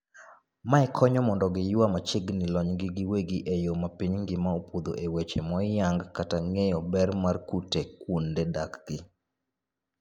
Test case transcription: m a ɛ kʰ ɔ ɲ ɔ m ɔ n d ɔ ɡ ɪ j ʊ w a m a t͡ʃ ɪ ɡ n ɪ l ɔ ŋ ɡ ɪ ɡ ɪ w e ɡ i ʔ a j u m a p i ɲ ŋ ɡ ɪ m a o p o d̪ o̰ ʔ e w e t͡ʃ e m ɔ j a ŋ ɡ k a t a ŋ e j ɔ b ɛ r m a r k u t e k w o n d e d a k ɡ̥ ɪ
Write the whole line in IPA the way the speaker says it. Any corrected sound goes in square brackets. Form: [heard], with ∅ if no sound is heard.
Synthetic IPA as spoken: m a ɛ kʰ ɔ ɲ ɔ m ɔ n d ɔ ɡ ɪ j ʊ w a m a t͡ʃ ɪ ɡ n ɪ l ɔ [ɲ] ɡ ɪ ɡ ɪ w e ɡ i ʔ [e] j [o] m a p i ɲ ŋ ɡ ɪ m a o p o d̪ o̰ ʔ e w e t͡ʃ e m ɔ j a ŋ ɡ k a t a ŋ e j ɔ b ɛ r m a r k u t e k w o n d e d a k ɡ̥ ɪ